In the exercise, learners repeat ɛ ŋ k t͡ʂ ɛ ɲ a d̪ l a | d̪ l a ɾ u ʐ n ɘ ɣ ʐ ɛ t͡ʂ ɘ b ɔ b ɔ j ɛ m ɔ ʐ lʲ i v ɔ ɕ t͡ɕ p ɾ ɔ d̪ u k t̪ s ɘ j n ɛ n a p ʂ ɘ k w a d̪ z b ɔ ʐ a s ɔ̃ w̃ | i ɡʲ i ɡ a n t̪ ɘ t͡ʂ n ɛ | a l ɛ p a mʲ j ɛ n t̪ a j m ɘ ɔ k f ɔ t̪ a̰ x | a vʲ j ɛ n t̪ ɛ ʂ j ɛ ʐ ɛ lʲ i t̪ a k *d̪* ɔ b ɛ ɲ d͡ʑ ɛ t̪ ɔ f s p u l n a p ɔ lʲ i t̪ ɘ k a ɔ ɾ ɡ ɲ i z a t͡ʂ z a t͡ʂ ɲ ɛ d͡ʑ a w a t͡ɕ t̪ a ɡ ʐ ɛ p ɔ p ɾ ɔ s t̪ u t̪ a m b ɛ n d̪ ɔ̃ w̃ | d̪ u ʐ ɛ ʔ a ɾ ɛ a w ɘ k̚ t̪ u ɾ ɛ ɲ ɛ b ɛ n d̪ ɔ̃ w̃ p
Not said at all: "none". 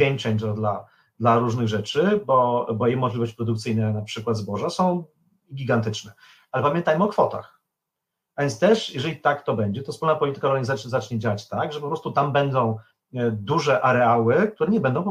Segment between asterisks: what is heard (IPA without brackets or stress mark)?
t̪